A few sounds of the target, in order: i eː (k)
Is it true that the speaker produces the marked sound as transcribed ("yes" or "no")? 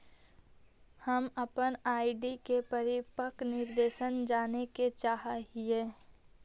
no